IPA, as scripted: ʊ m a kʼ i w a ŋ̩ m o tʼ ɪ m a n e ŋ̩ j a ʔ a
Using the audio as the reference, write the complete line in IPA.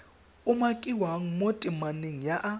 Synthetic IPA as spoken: ʊ m a kʼ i w a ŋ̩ m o tʼ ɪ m a n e ŋ̩ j a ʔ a